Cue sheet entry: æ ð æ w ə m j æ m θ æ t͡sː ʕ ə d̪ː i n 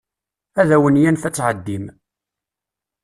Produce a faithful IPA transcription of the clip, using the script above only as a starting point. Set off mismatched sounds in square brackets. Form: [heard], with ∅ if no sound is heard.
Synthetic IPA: æ ð æ w ə [n] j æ [n] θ æ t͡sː ʕ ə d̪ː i [m]